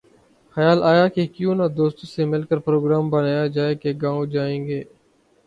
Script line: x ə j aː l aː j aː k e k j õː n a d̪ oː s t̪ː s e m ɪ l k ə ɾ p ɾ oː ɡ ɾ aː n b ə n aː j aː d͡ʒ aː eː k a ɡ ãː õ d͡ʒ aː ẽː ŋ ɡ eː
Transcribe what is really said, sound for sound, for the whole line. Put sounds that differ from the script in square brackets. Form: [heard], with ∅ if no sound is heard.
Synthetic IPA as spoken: x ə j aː l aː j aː k e k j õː n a d̪ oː s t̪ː s e m ɪ l k ə ɾ p ɾ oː ɡ ɾ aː [m] b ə n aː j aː d͡ʒ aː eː k [e] ɡ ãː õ d͡ʒ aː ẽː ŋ ɡ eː